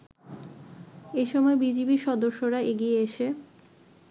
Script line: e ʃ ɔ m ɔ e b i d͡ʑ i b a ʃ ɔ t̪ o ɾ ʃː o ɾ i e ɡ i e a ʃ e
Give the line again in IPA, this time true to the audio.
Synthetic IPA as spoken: e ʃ ɔ m ɔ e b i d͡ʑ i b i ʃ ɔ d̪ o ɾ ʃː o ɾ a e ɡ i e e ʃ e